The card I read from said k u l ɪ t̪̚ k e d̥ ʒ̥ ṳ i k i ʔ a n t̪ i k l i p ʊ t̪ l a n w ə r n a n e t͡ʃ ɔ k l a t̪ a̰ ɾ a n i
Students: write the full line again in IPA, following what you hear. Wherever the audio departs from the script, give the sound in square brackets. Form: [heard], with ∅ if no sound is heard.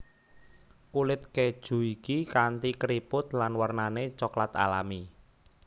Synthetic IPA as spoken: k u l ɪ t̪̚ k e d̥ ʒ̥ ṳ i k i [k] a n t̪ i k [ɾ] i p ʊ t̪ l a n w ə r n a n e t͡ʃ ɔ k l a t̪ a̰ [l] a [m] i